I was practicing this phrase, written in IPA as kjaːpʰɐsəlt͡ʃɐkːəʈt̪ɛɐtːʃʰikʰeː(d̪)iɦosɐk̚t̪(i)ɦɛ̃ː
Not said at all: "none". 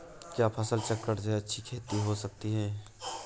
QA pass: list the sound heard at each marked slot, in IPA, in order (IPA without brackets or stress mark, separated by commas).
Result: t̪, i